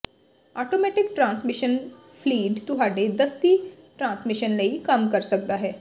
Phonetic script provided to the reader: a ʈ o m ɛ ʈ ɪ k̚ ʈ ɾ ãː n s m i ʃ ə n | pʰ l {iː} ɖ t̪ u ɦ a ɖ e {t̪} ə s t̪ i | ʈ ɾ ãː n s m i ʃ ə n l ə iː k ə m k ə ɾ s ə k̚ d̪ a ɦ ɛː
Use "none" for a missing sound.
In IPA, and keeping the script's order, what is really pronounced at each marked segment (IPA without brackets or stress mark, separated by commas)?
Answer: iː, d̪